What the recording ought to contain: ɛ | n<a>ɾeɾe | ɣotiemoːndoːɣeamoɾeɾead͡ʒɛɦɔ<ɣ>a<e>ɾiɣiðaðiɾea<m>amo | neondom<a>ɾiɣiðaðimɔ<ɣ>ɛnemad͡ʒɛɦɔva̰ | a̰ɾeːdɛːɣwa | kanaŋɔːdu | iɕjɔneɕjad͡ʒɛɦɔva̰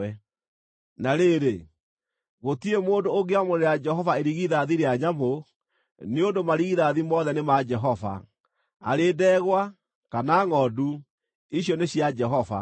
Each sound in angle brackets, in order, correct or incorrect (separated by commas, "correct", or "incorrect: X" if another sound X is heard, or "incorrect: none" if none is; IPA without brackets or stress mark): correct, incorrect: v, correct, incorrect: ɲ, correct, incorrect: ð